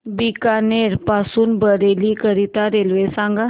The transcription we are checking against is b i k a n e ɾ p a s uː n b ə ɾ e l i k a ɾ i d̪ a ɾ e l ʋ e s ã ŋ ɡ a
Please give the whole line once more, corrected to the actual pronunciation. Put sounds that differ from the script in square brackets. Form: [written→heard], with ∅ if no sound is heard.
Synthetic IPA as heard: b i k a n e ɾ p a s uː n b ə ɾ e l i k [a→ə] ɾ i [d̪→t̪] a ɾ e l ʋ e s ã ŋ ɡ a